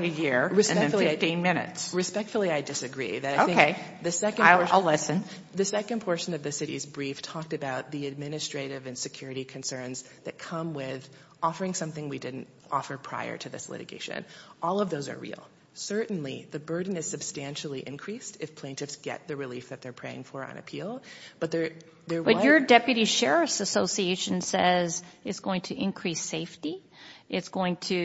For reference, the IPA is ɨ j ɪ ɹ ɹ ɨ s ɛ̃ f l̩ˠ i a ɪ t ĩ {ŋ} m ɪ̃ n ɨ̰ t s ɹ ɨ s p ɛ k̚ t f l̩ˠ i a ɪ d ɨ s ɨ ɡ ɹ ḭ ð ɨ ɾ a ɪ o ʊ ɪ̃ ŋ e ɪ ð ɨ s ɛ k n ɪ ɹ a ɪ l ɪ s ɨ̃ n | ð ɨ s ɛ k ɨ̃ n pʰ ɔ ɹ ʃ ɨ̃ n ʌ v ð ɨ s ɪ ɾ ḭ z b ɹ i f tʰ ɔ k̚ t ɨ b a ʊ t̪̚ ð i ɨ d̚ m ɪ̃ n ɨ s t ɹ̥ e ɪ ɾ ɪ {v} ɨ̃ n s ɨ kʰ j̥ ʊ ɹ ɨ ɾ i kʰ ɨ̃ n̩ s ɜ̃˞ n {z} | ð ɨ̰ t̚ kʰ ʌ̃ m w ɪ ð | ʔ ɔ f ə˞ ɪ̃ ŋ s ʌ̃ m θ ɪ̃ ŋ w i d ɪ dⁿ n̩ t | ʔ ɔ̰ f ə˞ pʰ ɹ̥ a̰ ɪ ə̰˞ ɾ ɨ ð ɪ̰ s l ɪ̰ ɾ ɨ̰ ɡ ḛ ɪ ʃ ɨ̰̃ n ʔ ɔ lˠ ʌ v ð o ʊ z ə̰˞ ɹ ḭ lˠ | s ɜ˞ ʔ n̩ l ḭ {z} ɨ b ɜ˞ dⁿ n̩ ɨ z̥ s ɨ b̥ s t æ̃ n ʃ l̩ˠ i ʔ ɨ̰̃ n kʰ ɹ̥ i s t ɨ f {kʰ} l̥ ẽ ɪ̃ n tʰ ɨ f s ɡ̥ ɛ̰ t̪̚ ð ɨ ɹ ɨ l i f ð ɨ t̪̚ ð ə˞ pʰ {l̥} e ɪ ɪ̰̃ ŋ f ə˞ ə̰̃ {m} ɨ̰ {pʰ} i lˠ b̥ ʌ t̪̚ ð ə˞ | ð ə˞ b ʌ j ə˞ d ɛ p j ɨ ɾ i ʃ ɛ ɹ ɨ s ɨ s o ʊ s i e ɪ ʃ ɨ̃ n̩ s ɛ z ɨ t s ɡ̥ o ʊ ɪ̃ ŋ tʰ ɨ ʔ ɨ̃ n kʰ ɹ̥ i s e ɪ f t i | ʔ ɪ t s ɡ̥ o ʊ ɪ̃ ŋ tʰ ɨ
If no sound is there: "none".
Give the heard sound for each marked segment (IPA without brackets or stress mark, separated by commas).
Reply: n, v, z, ð, pʰ, ɹ̥, n, pʰ